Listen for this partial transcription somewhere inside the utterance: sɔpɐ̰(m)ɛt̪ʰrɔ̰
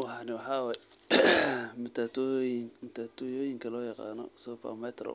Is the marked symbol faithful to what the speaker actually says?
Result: yes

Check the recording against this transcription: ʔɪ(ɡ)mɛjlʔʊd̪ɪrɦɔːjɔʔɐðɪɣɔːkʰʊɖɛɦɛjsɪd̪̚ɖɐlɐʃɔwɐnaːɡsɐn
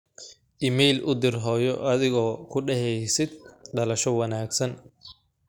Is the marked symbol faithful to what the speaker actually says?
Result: no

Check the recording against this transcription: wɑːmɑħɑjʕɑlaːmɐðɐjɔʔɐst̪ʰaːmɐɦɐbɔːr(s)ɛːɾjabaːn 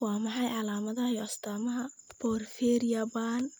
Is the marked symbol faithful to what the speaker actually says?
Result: no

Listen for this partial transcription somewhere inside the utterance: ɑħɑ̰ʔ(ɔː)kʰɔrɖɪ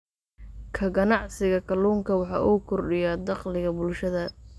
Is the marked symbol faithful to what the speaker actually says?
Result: no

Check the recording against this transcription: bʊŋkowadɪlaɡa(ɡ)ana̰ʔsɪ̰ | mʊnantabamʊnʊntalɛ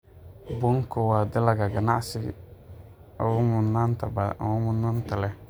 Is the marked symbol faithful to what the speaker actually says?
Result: yes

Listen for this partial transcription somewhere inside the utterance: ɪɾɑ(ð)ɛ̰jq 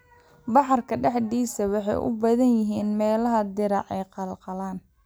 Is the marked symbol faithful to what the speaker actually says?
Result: no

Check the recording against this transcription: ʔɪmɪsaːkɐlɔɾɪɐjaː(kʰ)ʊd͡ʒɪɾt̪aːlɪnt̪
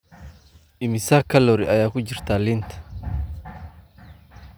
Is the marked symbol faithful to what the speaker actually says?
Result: no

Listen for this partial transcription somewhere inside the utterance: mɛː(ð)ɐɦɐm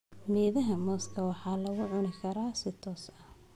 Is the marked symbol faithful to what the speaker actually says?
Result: yes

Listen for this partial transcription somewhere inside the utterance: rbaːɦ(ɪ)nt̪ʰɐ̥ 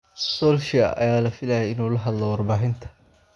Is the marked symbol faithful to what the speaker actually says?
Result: yes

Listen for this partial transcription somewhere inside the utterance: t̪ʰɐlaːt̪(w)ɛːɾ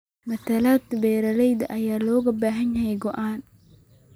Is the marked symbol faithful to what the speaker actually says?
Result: no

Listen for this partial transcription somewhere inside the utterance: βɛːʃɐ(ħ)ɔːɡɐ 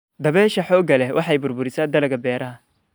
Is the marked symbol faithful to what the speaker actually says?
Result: yes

